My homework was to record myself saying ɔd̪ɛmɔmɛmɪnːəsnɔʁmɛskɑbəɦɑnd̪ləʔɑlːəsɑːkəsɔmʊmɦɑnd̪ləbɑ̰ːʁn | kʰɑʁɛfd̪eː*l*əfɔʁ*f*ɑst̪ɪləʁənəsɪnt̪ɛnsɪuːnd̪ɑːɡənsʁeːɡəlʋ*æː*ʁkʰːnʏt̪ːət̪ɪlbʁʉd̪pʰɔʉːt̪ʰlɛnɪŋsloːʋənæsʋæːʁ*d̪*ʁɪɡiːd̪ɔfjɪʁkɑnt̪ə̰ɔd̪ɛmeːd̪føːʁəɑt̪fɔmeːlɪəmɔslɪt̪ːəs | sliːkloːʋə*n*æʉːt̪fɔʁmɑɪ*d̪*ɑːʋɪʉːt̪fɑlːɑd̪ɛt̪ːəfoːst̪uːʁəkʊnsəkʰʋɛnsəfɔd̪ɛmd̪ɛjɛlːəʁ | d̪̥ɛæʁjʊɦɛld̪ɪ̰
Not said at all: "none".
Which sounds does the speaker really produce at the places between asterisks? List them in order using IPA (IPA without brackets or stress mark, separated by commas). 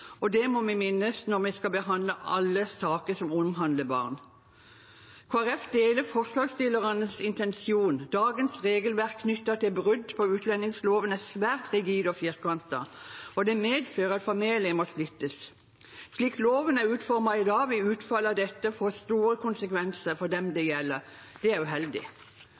l, s, æ, t̪, n, d̪